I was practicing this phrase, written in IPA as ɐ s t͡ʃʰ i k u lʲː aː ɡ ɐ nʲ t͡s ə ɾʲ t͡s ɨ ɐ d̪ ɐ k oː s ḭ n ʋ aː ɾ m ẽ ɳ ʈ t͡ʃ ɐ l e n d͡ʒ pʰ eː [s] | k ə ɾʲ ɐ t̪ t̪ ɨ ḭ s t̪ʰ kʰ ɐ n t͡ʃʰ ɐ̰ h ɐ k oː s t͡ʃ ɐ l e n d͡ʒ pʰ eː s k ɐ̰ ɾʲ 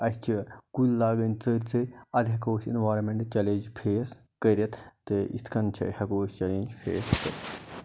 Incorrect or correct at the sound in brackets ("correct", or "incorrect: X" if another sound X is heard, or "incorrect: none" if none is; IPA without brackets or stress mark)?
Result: correct